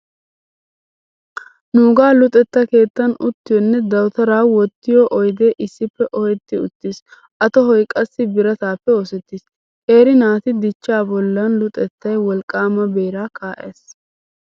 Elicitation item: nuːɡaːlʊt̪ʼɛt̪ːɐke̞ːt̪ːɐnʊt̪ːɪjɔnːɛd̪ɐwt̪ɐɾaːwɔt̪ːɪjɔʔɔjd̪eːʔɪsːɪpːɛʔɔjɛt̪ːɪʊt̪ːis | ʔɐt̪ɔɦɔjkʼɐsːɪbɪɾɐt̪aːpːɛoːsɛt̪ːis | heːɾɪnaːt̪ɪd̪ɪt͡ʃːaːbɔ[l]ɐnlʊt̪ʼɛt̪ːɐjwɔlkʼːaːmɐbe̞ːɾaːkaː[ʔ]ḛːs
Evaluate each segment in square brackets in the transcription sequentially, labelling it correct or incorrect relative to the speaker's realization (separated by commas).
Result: incorrect, correct